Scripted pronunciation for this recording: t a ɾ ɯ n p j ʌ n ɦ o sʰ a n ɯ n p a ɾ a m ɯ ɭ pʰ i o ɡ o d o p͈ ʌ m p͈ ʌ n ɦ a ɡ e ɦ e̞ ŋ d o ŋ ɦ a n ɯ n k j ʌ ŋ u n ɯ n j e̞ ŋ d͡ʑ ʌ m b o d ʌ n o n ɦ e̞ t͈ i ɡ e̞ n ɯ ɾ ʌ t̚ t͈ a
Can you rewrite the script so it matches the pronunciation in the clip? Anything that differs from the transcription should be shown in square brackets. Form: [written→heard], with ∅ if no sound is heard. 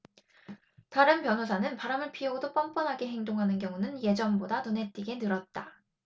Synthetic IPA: t a ɾ ɯ n p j ʌ n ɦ o sʰ a n ɯ n p a ɾ a m ɯ ɭ pʰ i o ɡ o d o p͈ ʌ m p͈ ʌ n ɦ a ɡ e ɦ e̞ ŋ d o ŋ ɦ a n ɯ n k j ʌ ŋ u n ɯ n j e̞ [ŋ→∅] d͡ʑ ʌ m b o d [ʌ→a] n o n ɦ e̞ t͈ i ɡ e̞ n ɯ ɾ ʌ t̚ t͈ a